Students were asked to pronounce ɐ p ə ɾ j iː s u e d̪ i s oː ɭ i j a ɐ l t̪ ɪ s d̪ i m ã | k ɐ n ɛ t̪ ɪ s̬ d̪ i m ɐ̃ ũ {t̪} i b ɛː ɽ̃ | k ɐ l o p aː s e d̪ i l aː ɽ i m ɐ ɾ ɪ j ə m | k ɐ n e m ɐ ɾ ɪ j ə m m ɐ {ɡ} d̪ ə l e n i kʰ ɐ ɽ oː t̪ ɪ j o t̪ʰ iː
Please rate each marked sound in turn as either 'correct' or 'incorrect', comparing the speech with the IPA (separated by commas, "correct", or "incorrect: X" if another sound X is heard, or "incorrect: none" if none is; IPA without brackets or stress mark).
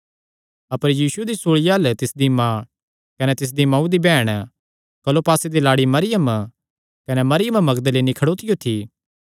incorrect: d̪, correct